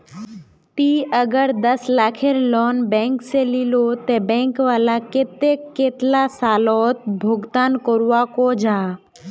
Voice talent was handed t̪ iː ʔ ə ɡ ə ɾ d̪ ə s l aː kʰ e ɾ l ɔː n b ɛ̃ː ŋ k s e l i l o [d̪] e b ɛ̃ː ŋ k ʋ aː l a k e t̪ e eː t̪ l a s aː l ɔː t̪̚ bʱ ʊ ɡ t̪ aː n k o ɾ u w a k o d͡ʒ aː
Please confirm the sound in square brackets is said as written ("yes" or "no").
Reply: no